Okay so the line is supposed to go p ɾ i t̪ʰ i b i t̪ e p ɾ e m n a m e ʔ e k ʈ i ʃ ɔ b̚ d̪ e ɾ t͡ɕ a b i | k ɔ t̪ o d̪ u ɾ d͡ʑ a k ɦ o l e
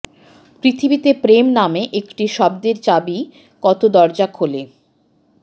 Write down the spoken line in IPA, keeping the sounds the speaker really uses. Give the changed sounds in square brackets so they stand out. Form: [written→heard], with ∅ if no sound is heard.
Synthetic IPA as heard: p ɾ i t̪ʰ i b i t̪ e p ɾ e m n a m e ʔ e k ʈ i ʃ ɔ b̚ d̪ e ɾ t͡ɕ a b i | k ɔ t̪ o d̪ [u→ɔ] ɾ d͡ʑ a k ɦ o l e